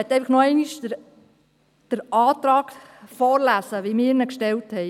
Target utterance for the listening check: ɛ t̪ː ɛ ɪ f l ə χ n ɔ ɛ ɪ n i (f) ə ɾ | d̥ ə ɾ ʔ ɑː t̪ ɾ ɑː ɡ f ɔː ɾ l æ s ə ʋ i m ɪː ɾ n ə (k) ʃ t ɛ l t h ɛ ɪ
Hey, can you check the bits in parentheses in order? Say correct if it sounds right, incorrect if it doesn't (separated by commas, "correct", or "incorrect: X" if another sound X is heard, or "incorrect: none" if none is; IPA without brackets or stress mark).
incorrect: ʃ, correct